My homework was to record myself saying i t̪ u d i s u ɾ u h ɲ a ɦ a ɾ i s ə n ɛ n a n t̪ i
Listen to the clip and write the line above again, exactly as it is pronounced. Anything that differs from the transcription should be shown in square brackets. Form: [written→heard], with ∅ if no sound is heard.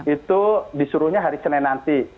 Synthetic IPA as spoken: i t̪ u d i s u ɾ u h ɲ a ɦ a ɾ i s ə n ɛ n a n t̪ i

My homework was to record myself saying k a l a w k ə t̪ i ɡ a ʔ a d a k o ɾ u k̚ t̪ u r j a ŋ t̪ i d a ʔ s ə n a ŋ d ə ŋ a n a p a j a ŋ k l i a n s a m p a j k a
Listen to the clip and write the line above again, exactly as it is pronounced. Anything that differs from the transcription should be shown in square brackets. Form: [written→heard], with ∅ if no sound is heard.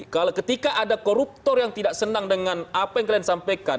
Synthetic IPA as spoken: k a l a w k ə t̪ i [ɡ→k] a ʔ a d a k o ɾ u [k̚→p̚] t̪ [u→ɔ] r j a ŋ t̪ i d a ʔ s ə n a ŋ d ə ŋ a n a p a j a ŋ k l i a n s a m p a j k a

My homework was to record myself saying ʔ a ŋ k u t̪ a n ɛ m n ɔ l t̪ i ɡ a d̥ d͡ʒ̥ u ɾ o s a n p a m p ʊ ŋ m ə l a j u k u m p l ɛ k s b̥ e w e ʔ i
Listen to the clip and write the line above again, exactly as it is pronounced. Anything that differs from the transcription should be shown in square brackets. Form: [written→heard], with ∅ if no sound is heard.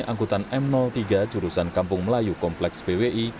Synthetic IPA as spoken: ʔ a ŋ k u t̪ a n ɛ m n ɔ l t̪ i ɡ a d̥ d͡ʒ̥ u ɾ [o→u] s a n [p→k] a m p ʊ ŋ m ə l a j u k [u→ɔ] m p l ɛ k s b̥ e w e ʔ i

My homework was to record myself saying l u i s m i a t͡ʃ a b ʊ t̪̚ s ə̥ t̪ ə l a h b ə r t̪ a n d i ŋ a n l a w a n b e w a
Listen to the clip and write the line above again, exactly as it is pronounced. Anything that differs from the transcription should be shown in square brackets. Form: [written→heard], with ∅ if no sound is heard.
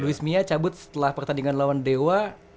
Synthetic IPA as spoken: l u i s m i a t͡ʃ a b ʊ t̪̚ s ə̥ t̪ ə l a h [b→p] ə r t̪ a n d i ŋ a n l a w a n [b→d] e w a

